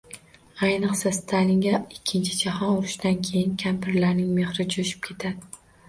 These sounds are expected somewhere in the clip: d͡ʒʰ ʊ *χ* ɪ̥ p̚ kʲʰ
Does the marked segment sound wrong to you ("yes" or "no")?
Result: yes